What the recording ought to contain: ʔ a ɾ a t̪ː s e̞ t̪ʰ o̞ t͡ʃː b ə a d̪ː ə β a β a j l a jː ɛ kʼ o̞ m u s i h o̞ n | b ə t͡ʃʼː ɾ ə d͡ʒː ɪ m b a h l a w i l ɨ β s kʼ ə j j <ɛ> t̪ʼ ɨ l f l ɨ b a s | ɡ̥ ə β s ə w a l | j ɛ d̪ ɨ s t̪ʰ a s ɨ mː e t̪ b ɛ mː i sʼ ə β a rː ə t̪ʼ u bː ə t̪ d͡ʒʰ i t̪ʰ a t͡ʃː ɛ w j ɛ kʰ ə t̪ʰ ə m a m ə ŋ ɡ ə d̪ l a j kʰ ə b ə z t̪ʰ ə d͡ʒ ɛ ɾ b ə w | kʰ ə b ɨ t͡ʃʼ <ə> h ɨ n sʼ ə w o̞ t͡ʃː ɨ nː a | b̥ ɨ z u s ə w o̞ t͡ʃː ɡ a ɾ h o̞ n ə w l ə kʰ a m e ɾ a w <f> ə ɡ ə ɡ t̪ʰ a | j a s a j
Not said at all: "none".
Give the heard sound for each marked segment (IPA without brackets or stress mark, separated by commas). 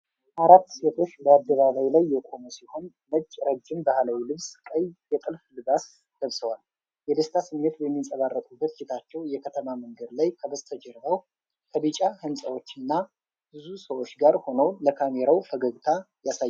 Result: ɛ, a, f